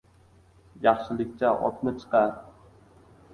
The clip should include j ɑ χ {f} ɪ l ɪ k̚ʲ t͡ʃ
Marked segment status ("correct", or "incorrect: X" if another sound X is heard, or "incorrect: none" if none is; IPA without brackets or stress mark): incorrect: ʃ